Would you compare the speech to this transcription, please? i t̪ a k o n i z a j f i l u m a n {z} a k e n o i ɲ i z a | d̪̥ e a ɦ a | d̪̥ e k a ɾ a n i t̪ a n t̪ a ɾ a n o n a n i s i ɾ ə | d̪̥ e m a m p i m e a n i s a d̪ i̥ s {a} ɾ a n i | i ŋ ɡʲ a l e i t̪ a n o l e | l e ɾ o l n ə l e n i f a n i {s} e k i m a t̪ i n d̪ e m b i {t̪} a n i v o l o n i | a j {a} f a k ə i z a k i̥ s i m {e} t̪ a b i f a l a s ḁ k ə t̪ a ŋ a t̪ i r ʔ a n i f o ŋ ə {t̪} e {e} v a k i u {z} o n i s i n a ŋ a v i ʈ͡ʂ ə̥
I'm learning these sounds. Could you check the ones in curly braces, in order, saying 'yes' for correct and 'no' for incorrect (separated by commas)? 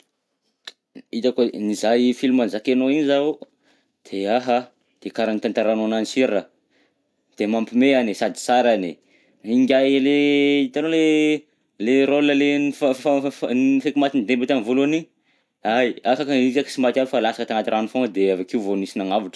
yes, yes, no, yes, yes, no, no, no, no